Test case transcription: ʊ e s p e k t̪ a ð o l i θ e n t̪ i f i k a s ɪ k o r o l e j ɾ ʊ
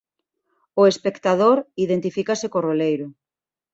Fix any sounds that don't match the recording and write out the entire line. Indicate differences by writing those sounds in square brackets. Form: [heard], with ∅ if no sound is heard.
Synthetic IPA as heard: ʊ e s p e k t̪ a ð o [ɾ] i [ð] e n t̪ i f i k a s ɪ k o r o l e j ɾ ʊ